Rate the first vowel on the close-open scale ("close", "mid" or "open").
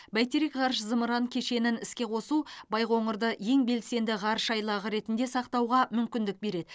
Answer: open